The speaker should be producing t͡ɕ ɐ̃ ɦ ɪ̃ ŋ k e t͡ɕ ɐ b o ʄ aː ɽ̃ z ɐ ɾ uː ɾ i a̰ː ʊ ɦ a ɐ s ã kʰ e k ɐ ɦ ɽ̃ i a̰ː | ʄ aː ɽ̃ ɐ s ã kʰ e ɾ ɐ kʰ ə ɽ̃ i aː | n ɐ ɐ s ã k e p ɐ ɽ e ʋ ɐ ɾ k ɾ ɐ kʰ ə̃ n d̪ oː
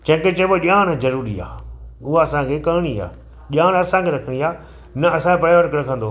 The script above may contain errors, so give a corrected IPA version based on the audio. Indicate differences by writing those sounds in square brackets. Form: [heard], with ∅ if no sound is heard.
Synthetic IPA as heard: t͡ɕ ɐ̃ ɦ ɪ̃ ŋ k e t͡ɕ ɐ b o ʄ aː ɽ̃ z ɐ ɾ uː ɾ i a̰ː ʊ ɦ a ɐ s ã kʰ e k ɐ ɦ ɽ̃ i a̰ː | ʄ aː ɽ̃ ɐ s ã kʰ e ɾ ɐ kʰ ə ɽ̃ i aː | n ɐ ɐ s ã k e p ɐ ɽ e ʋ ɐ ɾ k ɾ ɐ kʰ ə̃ n d̪ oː